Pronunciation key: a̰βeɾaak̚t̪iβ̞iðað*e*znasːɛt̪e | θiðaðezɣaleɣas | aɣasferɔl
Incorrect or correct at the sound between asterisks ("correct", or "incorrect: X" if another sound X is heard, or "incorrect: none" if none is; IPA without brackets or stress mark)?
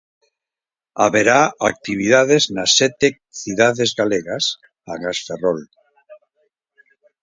correct